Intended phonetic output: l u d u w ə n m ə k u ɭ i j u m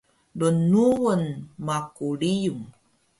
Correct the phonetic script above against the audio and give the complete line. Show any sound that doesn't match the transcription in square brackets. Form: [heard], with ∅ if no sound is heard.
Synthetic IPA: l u [n] u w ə n m [a] k u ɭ i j u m